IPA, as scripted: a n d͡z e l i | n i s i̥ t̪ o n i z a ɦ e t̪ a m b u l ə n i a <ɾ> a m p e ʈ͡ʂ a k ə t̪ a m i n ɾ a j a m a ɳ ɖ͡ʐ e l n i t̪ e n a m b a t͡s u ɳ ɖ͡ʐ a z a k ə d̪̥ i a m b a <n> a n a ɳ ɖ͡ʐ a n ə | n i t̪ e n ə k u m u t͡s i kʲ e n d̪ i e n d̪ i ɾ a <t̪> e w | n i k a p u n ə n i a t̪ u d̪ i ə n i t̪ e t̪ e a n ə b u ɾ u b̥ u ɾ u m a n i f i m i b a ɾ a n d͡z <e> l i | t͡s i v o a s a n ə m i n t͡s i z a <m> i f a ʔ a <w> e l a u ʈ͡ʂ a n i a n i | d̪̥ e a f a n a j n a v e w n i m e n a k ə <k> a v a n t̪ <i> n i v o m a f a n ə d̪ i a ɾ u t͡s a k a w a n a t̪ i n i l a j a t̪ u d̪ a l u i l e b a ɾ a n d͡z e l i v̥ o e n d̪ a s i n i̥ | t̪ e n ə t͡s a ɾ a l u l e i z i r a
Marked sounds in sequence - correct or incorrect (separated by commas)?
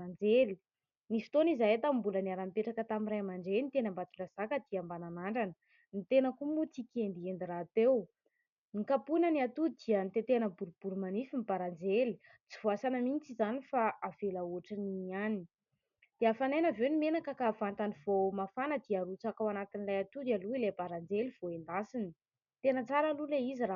correct, correct, correct, correct, incorrect, incorrect, correct, incorrect